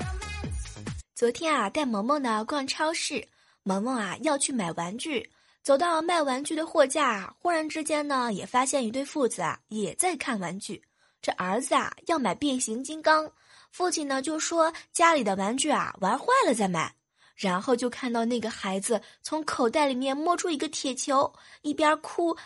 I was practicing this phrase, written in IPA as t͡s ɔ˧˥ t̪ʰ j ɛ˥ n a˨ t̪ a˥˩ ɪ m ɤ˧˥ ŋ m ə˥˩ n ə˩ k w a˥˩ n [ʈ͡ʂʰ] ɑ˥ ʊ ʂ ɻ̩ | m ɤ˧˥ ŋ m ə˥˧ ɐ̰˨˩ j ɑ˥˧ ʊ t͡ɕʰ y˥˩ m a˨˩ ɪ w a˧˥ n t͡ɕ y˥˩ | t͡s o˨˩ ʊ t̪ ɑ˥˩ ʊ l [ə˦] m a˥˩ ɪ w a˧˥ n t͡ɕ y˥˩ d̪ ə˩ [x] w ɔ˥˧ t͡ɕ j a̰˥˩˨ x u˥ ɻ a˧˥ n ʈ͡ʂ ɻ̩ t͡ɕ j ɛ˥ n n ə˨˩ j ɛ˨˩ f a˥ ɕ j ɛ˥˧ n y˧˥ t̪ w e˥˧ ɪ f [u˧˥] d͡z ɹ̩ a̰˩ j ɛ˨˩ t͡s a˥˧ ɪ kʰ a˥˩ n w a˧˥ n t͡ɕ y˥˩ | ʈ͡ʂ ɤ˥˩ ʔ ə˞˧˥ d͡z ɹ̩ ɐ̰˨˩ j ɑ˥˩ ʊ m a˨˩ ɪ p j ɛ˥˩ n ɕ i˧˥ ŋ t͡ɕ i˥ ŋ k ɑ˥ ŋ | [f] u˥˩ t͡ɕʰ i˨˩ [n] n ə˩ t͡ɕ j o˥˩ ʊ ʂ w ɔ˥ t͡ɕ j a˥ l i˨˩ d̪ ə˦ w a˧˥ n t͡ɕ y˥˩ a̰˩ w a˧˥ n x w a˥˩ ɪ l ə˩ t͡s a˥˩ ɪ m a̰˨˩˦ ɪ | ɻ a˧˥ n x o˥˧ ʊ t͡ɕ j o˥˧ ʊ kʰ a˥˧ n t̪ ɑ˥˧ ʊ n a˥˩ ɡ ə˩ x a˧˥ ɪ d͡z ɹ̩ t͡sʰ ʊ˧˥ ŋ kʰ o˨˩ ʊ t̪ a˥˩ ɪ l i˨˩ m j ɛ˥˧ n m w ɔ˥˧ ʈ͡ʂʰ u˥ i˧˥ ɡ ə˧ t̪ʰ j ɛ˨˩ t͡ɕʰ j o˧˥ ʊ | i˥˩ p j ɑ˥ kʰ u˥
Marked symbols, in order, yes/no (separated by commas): yes, no, yes, no, yes, yes